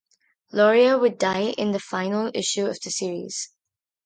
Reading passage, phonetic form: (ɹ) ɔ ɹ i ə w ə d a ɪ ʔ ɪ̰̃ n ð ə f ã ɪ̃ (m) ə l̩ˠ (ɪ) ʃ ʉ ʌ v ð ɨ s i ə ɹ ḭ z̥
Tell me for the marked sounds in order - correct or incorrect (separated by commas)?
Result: incorrect, incorrect, correct